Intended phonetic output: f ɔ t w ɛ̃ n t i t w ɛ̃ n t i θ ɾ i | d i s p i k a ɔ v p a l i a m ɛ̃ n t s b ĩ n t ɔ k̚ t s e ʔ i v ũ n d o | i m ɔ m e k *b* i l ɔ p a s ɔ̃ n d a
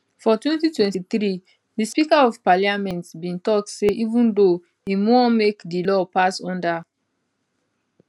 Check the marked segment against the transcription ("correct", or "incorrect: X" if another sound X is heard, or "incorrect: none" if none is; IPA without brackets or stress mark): incorrect: d